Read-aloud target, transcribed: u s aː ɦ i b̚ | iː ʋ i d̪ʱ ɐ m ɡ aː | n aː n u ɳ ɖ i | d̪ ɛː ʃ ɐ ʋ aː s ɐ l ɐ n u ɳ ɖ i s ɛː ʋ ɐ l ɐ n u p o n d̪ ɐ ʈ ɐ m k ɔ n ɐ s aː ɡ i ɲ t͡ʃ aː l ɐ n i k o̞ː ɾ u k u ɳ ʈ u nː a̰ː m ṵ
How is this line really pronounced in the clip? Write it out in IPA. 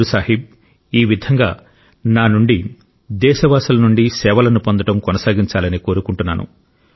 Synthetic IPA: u s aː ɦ i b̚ | iː ʋ i d̪ʱ ɐ ŋ ɡ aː | n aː n u ɳ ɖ i | d̪ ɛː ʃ ɐ ʋ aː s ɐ l ɐ n u ɳ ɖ i s ɛː ʋ ɐ l ɐ n u p o n d̪ ɐ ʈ ɐ m k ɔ n ɐ s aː ɡ i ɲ t͡ʃ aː l ɐ n i k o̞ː ɾ u k u ɳ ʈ u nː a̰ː n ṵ